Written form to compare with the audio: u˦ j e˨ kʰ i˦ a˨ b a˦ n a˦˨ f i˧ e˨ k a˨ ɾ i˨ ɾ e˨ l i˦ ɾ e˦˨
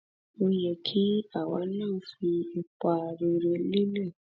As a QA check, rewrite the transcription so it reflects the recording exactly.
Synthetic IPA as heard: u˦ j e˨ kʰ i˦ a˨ w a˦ n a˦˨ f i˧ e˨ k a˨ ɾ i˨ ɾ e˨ l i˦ l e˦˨